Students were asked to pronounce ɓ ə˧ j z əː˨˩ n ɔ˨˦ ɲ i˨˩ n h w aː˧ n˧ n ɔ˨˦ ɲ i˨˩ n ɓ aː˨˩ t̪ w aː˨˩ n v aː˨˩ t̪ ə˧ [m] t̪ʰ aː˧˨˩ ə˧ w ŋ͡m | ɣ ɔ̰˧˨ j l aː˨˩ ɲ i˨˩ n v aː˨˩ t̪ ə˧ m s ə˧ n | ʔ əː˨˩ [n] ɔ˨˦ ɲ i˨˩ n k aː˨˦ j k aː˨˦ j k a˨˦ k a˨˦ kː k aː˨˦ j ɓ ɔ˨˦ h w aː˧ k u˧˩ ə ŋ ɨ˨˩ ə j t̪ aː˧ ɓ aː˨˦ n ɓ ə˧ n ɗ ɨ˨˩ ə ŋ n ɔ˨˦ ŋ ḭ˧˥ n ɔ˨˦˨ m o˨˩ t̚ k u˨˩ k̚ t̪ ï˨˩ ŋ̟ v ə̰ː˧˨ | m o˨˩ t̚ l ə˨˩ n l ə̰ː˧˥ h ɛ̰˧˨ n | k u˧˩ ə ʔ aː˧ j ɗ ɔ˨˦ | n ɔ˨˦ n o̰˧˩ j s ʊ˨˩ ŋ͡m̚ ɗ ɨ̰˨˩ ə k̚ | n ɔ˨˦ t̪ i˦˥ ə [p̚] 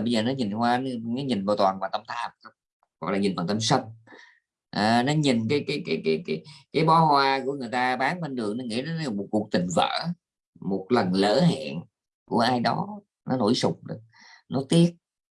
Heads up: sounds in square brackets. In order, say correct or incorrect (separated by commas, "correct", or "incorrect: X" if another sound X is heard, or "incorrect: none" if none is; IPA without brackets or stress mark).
correct, correct, incorrect: t̚